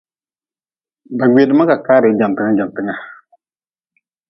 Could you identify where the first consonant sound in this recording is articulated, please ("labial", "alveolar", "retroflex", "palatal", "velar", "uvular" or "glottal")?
labial